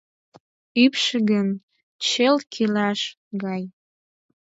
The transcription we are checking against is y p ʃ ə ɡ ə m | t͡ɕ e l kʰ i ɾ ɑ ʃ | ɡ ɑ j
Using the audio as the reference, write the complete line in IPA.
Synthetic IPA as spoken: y p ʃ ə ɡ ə n | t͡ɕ e l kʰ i l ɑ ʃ | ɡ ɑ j

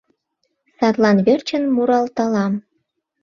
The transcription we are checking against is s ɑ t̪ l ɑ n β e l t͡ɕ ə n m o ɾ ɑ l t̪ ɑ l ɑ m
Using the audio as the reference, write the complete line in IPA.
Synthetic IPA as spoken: s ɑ t̪ l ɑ n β e r t͡ɕ ə n m u ɾ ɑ l t̪ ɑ l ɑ m

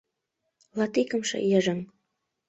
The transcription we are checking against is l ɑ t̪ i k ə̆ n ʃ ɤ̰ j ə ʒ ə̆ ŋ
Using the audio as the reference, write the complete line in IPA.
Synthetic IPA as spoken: l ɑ t̪ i k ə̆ m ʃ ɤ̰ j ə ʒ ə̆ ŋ

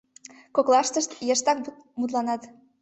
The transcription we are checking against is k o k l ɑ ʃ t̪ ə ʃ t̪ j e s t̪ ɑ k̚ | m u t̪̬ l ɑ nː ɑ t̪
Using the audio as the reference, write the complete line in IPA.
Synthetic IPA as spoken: k o k l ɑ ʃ t̪ ə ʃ t̪ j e ʃ t̪ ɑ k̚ | m u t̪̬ l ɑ n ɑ t̪

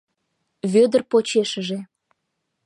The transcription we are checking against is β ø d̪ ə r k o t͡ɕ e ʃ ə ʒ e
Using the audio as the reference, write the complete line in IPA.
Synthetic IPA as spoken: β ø d̪ ə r p o t͡ɕ e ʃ ə ʒ e

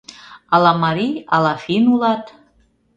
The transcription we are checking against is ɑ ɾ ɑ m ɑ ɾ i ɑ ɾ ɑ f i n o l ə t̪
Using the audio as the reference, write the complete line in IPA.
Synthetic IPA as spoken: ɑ l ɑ m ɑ ɾ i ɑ l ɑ f i n u l ɑ t̪

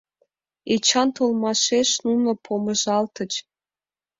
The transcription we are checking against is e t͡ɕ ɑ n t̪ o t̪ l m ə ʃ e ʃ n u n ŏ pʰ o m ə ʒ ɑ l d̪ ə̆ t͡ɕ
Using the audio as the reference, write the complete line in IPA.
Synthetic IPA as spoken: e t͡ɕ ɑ n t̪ o l m ɑ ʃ e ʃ n u n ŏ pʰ o m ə ʒ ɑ l t̪ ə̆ t͡ɕ

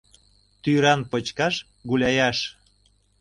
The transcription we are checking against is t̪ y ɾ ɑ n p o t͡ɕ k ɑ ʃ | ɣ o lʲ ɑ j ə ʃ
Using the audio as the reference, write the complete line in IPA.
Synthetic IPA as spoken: t̪ y ɾ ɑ n p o t͡ɕ k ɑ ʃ | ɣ u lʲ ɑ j ɑ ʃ

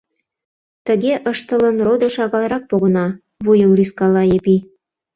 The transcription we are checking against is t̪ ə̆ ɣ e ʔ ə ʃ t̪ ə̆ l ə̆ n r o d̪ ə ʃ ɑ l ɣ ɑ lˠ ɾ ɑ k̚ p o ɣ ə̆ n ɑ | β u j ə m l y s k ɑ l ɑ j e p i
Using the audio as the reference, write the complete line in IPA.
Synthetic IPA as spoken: t̪ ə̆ ɣ e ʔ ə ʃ t̪ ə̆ l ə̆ n r o d̪ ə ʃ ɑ ɣ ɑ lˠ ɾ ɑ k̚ p o ɣ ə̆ n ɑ | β u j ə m l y s k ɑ l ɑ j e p i

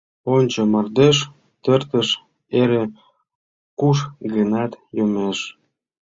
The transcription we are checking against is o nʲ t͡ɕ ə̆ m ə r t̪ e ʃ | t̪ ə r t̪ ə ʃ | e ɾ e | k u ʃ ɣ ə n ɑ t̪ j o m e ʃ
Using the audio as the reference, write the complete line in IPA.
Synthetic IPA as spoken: o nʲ t͡ɕ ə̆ m ɑ r d̪ e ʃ | t̪ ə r t̪ ə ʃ | e ɾ e | k u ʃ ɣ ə n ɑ t̪ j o m e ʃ

